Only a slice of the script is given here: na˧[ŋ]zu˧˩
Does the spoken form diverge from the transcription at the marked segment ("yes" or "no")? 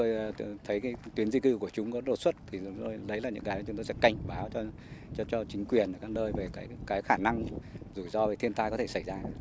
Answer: no